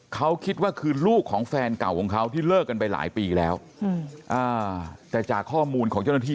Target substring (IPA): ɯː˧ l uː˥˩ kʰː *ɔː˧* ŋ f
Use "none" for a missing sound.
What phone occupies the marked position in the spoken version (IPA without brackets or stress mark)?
ɔː˩˦